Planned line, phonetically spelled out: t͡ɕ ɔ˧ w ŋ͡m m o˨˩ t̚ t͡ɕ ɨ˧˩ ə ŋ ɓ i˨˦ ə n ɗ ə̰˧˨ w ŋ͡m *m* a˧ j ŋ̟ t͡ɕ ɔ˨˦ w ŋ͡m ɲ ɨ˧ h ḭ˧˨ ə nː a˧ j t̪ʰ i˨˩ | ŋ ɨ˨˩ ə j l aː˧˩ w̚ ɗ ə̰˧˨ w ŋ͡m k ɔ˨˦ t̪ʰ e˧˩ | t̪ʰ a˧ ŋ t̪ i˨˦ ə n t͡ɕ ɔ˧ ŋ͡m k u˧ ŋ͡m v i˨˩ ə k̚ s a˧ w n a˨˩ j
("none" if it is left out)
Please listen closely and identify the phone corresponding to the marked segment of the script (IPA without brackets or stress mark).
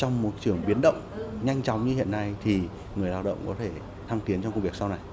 ɲ